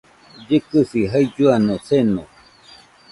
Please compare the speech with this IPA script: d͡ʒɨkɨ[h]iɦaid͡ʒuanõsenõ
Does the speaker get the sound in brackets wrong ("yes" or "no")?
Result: yes